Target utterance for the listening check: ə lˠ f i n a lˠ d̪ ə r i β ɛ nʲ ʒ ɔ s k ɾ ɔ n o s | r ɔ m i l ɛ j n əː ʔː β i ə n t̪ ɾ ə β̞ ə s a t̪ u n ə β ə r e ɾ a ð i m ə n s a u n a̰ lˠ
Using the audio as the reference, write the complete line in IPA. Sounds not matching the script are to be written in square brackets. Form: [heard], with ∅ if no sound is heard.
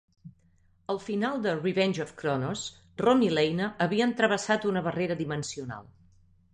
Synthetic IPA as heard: ə lˠ f i n a lˠ d̪ ə r i β ɛ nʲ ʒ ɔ [f] k ɾ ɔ n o s | r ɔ m i l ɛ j n [ə] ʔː β i ə n t̪ ɾ ə β̞ ə s a t̪ u n ə β ə r e ɾ [ə] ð i m ə n s [i] u n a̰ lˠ